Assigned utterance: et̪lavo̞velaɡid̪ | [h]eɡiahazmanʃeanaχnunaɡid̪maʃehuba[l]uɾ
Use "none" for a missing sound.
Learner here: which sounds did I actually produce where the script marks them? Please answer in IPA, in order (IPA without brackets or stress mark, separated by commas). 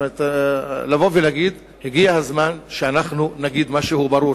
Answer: h, ɾ